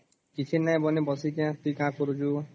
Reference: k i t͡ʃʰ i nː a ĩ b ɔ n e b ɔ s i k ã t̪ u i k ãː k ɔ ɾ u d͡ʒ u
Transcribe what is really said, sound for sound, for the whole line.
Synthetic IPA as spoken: k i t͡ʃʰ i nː a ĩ b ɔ n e b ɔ s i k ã t̪ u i k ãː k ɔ ɾ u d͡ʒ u